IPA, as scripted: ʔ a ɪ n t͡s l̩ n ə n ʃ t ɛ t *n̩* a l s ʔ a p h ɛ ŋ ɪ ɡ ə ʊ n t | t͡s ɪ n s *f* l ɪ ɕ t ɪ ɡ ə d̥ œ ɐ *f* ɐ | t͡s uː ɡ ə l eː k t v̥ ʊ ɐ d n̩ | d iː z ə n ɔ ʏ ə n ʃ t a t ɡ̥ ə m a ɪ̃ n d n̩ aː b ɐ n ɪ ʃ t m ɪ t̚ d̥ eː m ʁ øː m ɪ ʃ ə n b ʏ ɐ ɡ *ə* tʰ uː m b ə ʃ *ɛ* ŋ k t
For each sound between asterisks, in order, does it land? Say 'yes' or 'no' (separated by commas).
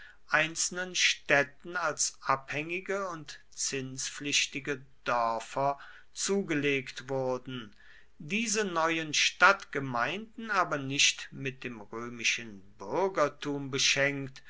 yes, yes, yes, no, yes